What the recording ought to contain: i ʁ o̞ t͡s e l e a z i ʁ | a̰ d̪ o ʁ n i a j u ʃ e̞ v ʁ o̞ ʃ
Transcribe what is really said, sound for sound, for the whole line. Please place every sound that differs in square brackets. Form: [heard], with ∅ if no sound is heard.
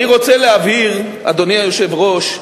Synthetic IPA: i ʁ o̞ t͡s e l e a [v] i ʁ | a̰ d̪ o [∅] n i a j [o] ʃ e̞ v ʁ o̞ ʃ